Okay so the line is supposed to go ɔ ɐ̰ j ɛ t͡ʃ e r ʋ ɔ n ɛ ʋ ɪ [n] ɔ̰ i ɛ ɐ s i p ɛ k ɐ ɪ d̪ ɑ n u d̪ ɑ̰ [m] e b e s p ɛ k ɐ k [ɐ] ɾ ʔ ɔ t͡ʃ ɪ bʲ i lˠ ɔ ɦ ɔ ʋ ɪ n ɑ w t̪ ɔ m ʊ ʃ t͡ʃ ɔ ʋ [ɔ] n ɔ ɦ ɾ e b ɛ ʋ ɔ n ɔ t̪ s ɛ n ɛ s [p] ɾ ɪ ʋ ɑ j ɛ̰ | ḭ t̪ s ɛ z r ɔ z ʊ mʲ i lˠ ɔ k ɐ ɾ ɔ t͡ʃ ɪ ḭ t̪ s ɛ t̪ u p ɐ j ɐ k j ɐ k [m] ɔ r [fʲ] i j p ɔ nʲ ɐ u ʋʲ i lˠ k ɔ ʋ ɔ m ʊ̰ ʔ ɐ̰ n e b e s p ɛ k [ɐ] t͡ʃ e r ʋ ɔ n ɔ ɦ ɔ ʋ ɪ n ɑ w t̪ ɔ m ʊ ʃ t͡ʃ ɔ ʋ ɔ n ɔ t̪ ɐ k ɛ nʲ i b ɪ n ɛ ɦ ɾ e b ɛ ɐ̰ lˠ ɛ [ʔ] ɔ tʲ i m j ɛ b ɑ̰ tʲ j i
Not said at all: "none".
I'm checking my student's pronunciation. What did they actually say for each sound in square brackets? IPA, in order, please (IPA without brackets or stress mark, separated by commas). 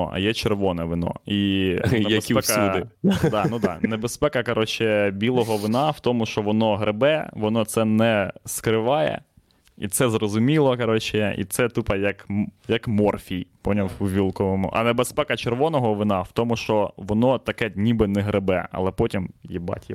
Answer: n, n, ɐ, ɔ, k, m, fʲ, ɐ, p